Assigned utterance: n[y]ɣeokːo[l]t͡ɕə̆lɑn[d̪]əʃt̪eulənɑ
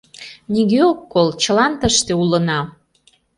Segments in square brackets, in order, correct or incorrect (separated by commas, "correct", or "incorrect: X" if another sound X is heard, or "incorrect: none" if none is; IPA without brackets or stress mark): incorrect: i, correct, incorrect: t̪